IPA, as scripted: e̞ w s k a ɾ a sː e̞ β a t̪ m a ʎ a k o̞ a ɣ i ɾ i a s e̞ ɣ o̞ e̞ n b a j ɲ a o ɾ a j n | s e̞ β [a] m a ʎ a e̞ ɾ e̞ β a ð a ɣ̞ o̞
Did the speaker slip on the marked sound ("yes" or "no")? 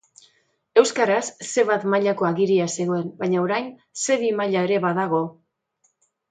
yes